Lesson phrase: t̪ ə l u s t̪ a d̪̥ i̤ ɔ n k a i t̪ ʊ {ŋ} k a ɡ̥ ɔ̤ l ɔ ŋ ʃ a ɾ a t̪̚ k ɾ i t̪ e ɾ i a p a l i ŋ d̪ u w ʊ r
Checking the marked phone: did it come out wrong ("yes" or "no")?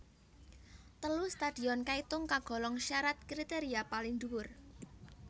no